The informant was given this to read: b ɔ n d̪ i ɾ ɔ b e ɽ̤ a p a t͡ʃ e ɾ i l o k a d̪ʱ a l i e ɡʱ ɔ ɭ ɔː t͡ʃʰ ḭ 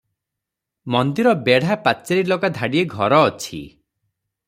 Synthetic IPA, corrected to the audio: m ɔ n d̪ i ɾ ɔ b e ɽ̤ a p a t͡ʃ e ɾ i l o k a d̪ʱ a ɽ i e ɡʱ ɔ ɾ ɔː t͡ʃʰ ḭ